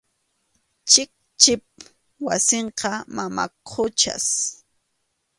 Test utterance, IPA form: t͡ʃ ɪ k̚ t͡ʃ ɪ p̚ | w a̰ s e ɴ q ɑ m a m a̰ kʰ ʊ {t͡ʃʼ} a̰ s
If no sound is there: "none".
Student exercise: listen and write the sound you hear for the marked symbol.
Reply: t͡ʃ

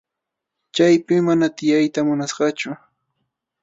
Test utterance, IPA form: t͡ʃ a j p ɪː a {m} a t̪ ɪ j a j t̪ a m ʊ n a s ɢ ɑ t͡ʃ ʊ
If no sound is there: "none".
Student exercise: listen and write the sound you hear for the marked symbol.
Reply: n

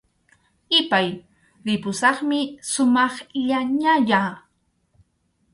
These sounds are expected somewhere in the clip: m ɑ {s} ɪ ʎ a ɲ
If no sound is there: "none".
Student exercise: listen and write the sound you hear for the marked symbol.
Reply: χ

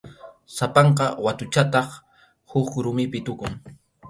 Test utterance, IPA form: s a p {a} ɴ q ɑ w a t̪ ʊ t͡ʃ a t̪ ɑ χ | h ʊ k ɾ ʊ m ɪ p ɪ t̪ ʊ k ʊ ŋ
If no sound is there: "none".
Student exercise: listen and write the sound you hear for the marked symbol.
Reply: ɑ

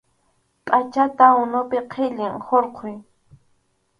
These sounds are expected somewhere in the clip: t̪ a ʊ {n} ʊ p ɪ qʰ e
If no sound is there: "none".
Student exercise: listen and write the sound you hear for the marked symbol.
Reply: n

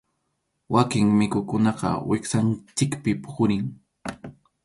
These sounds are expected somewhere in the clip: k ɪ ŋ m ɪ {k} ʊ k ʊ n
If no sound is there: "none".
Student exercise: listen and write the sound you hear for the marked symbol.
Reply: k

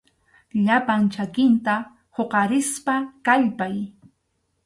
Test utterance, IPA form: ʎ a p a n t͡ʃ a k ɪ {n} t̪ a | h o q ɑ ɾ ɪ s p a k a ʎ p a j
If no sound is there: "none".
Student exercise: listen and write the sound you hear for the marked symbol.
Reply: n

